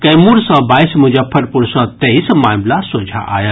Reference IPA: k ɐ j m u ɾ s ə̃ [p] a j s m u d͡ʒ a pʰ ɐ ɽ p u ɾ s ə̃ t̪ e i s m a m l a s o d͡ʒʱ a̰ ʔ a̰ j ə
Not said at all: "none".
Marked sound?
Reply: b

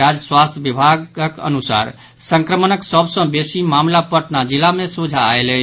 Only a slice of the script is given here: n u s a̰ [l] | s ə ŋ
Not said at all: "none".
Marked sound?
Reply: ɾ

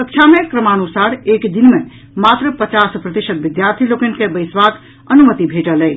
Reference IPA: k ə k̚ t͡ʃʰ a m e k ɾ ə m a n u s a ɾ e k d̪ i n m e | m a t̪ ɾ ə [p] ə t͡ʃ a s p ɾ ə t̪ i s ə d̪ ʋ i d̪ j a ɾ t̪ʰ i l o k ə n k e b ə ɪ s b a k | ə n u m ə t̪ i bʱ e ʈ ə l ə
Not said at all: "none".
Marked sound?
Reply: p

